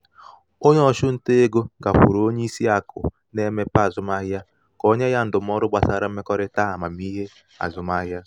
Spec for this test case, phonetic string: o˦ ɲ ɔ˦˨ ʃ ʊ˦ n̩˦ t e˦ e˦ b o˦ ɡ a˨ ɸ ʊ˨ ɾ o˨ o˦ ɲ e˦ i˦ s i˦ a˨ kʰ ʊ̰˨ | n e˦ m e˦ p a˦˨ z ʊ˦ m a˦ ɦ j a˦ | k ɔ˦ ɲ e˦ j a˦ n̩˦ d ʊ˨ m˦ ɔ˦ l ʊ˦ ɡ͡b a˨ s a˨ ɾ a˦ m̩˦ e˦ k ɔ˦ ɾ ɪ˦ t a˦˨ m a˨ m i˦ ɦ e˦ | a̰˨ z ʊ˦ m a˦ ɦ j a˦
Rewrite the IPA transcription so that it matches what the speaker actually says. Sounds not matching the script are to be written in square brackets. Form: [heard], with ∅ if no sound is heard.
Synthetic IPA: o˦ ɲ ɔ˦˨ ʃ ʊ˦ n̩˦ t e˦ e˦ [ɡ] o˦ ɡ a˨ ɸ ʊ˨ ɾ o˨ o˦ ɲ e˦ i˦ s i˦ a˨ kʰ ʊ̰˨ | n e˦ m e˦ p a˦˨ z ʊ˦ m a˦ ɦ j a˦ | k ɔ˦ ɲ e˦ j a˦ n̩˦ d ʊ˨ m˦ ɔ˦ [ɾ] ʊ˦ ɡ͡b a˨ s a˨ ɾ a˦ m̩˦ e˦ k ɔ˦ ɾ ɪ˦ t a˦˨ m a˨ m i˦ ɦ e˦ | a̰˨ z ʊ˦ m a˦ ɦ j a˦